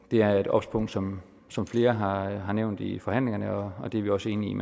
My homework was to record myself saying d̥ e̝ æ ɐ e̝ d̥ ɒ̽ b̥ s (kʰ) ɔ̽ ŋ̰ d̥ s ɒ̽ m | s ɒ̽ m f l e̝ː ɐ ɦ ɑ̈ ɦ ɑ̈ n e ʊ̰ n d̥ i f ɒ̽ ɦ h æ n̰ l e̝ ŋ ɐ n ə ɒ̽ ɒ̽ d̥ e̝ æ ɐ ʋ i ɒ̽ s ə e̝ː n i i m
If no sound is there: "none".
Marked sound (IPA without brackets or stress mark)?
pʰ